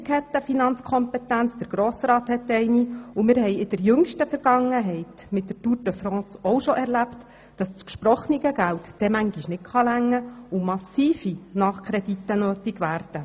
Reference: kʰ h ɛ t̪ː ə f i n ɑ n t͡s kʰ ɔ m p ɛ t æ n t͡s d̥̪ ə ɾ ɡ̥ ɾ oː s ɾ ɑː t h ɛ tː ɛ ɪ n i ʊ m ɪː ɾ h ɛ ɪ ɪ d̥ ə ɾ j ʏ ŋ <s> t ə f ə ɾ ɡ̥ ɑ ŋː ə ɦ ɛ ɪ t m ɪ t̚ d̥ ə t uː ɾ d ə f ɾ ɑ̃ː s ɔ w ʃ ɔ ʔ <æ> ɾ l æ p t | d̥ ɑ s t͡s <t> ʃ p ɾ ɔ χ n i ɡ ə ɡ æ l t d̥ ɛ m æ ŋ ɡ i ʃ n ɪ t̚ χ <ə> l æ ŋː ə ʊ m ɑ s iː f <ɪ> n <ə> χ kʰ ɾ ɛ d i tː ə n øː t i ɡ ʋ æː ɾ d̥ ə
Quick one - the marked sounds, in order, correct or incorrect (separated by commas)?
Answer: incorrect, incorrect, incorrect, incorrect, incorrect, incorrect